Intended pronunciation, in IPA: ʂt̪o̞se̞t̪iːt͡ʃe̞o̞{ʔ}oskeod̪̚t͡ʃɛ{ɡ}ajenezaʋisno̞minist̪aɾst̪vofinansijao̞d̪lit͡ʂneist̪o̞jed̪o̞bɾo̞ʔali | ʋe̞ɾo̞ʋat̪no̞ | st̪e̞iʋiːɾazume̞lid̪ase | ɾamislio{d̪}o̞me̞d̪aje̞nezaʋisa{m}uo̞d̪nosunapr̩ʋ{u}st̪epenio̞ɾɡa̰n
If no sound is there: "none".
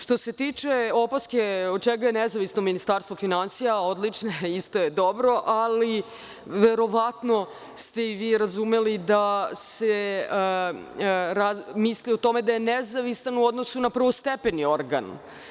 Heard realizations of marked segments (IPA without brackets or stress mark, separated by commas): p, ɡ, t̪, n, o